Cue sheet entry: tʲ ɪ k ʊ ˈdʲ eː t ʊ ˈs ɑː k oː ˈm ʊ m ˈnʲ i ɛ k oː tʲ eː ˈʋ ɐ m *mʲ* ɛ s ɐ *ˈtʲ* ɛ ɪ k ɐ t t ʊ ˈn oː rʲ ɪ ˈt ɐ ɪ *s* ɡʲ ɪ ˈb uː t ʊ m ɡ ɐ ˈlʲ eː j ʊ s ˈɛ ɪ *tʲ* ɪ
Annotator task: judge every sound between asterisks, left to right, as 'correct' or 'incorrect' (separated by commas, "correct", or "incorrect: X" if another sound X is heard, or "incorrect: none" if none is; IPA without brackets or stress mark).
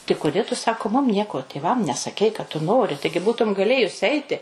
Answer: incorrect: nʲ, incorrect: kʲ, incorrect: none, correct